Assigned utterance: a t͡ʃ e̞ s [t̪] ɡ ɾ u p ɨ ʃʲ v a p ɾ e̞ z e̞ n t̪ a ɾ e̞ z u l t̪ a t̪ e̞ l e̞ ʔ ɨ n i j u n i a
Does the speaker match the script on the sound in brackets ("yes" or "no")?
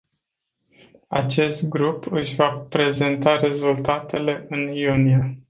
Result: yes